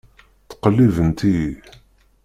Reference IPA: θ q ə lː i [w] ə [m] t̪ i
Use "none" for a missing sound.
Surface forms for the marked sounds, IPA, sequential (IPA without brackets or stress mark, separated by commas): v, n